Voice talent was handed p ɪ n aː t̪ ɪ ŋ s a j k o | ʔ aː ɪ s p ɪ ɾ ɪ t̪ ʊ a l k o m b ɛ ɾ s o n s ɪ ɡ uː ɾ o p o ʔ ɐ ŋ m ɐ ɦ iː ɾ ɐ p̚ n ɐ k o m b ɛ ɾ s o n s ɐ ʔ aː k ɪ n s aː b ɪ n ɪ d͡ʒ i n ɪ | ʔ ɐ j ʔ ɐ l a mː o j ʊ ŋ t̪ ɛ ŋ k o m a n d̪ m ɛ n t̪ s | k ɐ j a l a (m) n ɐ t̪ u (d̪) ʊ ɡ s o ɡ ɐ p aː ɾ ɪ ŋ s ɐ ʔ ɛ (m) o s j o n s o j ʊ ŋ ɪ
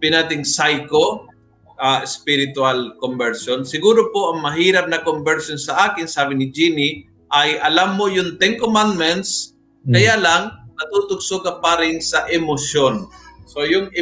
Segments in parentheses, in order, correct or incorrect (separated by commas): incorrect, incorrect, correct